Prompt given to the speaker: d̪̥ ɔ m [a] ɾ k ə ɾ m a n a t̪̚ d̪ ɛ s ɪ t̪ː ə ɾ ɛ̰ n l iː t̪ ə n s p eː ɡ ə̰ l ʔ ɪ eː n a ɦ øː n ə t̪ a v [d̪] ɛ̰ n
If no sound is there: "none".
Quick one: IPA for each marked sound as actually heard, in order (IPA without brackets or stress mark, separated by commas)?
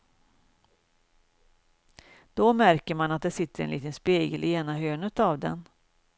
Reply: æ, d̪